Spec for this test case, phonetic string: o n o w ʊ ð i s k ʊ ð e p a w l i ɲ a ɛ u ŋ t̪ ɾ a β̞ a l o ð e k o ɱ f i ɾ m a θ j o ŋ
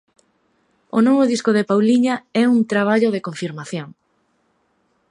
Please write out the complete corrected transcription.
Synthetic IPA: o n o β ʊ ð i s k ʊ ð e p a w l i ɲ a ɛ u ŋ t̪ ɾ a β̞ a ʎ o ð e k o ɱ f i ɾ m a θ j o ŋ